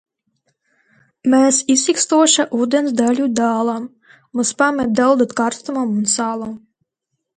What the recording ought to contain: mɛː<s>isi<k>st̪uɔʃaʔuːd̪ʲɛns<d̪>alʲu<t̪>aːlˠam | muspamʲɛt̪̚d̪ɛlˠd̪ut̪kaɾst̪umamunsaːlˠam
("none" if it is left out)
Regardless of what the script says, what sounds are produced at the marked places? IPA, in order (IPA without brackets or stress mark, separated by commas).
s, k, d̪, d̪